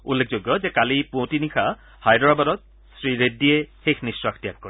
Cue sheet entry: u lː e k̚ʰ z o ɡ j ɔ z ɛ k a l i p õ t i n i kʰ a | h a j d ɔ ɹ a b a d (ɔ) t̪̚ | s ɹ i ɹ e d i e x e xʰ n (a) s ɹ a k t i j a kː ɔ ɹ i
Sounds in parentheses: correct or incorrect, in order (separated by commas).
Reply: correct, incorrect